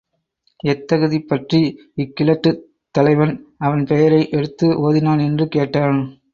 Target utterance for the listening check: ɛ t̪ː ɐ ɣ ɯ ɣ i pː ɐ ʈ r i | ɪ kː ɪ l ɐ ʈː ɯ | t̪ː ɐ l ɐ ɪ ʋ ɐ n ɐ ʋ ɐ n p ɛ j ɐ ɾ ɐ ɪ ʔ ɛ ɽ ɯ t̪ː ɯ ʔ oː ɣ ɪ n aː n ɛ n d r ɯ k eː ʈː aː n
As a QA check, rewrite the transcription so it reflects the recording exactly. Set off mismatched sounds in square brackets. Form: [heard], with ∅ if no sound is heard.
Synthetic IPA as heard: ɛ t̪ː ɐ ɣ ɯ [ð] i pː ɐ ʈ r i | ɪ kː ɪ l ɐ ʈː ɯ | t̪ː ɐ l ɐ ɪ ʋ ɐ n ɐ ʋ ɐ n p ɛ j ɐ ɾ ɐ ɪ ʔ ɛ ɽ ɯ t̪ː ɯ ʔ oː [ð] ɪ n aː n ɛ n d r ɯ k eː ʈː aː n